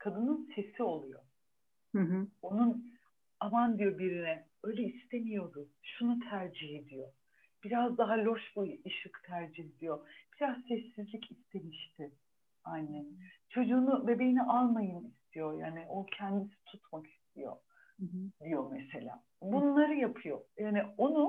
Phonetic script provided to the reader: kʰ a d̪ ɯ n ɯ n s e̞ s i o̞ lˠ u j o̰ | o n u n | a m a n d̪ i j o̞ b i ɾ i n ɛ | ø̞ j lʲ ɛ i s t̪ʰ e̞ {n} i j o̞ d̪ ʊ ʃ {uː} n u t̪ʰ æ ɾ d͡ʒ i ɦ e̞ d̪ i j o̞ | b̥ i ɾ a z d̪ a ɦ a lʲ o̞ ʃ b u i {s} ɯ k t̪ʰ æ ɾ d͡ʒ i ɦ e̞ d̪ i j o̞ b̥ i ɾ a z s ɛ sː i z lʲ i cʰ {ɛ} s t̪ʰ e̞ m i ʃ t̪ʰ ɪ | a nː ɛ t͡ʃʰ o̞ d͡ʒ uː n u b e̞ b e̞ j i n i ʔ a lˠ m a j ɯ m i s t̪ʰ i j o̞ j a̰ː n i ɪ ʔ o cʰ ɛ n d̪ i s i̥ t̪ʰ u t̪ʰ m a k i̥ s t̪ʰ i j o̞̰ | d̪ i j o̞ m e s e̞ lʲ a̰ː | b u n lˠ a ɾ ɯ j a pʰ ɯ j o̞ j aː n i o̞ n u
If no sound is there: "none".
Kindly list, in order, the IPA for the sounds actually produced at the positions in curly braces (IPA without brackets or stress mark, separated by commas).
m, u, ʃ, i